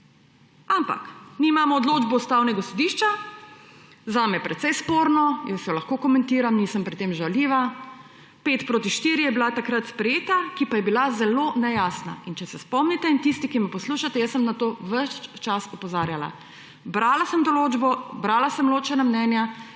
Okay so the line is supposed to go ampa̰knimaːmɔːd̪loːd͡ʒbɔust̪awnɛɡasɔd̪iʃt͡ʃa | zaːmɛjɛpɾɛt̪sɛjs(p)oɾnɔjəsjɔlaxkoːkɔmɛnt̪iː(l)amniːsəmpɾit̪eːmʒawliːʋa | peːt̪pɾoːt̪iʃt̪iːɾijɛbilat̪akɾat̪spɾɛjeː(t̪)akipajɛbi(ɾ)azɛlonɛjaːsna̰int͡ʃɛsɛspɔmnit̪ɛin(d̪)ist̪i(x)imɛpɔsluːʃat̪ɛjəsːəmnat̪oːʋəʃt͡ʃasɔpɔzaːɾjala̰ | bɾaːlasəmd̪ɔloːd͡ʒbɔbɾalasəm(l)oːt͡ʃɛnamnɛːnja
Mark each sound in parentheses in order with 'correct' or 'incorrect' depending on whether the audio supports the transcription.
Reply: correct, incorrect, correct, incorrect, incorrect, incorrect, correct

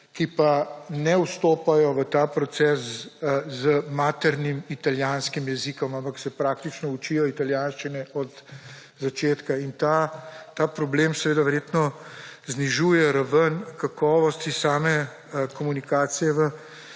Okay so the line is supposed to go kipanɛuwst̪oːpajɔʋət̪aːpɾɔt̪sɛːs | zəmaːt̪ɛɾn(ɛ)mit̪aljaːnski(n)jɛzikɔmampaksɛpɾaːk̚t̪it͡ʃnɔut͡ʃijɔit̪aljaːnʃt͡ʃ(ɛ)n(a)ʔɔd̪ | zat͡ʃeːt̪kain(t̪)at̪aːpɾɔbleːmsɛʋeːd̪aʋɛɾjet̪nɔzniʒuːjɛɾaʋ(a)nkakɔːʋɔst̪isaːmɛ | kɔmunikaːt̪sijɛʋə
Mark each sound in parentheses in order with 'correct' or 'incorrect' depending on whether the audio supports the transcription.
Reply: incorrect, incorrect, incorrect, incorrect, correct, incorrect

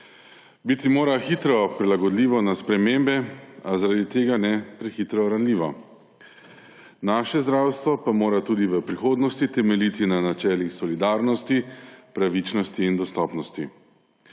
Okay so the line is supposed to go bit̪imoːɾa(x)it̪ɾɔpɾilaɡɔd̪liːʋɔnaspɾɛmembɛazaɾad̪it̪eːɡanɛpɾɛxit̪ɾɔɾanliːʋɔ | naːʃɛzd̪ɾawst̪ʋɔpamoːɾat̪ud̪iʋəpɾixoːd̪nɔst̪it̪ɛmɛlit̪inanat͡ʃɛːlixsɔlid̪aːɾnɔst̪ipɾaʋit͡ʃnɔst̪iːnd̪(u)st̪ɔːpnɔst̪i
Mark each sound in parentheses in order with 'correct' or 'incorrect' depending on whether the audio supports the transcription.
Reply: correct, incorrect

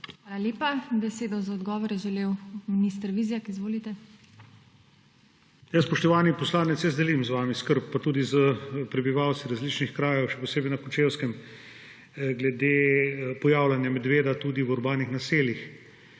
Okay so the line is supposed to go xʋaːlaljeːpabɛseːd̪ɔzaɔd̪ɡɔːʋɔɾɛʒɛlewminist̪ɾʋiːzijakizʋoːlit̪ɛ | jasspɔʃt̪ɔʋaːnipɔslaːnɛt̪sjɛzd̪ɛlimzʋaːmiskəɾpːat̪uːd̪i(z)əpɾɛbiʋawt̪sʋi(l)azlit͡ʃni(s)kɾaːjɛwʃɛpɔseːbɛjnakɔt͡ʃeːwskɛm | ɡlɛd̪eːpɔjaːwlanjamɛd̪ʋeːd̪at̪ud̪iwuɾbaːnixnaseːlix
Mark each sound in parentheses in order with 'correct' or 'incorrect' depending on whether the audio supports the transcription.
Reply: correct, incorrect, incorrect

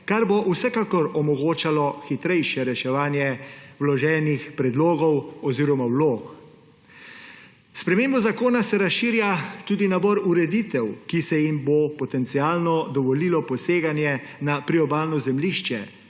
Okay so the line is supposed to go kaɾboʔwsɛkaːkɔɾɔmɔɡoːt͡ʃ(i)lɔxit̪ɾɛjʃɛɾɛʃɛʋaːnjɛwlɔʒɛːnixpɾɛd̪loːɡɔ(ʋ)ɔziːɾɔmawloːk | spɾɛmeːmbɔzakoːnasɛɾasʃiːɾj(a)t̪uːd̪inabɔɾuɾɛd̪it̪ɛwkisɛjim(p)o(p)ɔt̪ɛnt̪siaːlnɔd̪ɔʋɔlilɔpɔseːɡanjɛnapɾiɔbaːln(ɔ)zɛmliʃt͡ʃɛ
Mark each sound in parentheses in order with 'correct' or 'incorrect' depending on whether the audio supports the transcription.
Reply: incorrect, incorrect, correct, incorrect, correct, correct

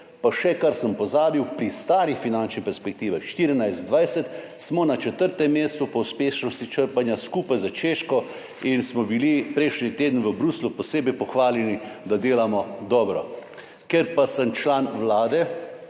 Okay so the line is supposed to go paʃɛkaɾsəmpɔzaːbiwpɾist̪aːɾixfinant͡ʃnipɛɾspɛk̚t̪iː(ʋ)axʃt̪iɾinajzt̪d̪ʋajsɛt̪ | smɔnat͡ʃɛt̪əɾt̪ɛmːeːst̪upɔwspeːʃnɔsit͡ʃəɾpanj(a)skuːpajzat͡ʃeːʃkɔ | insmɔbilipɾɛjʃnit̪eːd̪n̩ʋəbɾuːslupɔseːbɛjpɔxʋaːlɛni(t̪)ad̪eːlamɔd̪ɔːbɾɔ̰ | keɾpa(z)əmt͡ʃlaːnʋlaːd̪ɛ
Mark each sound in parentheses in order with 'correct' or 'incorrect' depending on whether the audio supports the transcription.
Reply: correct, correct, incorrect, incorrect

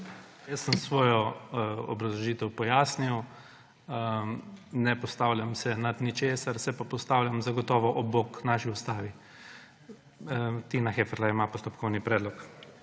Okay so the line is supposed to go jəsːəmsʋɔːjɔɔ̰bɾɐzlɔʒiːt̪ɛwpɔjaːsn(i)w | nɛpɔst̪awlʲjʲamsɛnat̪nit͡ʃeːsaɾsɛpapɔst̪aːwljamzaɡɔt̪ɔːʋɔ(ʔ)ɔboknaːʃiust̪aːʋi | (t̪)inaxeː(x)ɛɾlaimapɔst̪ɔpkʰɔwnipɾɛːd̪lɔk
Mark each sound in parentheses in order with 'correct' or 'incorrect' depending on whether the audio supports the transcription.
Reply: correct, correct, correct, incorrect

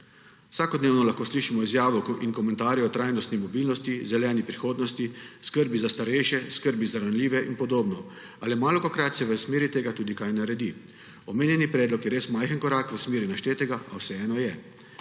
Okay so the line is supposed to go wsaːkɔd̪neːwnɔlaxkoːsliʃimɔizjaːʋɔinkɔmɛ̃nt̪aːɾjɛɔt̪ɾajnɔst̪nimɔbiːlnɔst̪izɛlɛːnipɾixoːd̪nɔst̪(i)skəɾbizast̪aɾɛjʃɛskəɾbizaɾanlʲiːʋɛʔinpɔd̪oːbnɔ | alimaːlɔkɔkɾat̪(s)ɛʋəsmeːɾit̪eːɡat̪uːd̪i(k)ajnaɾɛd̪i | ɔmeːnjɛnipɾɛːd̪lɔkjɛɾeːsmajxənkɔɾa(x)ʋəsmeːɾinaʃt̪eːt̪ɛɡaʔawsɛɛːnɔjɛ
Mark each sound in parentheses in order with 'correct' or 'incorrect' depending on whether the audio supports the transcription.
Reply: correct, correct, correct, incorrect

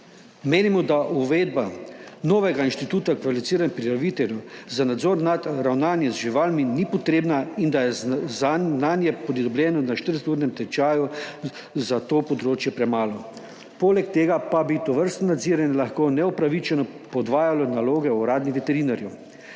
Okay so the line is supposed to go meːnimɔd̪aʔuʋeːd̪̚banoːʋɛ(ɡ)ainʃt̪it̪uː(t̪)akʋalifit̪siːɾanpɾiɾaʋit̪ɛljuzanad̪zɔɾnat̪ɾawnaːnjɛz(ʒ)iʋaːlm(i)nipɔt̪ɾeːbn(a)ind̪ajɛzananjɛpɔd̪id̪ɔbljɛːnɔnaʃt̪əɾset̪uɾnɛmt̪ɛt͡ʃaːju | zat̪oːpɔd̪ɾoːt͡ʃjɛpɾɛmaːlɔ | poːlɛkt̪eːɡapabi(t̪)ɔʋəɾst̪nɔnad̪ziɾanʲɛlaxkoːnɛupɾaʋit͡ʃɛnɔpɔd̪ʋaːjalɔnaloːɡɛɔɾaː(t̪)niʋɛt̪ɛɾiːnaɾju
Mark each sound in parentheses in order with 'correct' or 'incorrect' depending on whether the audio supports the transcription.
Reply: correct, correct, correct, correct, correct, correct, incorrect

